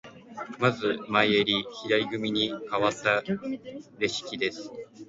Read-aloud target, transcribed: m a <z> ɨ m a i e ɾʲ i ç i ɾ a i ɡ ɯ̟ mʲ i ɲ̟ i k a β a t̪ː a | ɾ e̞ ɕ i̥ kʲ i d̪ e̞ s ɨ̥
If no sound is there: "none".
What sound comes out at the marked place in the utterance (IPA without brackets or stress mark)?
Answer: z